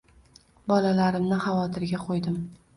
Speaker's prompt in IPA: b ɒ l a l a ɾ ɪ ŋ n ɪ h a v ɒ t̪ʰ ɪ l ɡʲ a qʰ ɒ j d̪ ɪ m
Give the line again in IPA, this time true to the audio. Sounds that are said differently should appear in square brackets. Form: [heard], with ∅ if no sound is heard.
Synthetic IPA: b ɒ l a l a ɾ ɪ [m] n ɪ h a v ɒ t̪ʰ ɪ [ɾ] ɡʲ a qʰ [o] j d̪ ɪ m